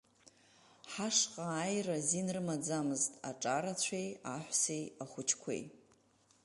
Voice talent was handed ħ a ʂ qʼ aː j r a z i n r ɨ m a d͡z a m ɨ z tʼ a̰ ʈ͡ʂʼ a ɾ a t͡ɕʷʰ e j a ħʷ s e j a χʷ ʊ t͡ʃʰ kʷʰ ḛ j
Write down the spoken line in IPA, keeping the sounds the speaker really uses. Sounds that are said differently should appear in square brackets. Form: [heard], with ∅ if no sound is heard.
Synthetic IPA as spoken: ħ a ʂ qʼ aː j r a z i n r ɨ m a d͡z a m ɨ z tʼ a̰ ʈ͡ʂʼ a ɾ a t͡ɕʷʰ e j a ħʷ s e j a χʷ ʊ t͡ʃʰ kʷʰ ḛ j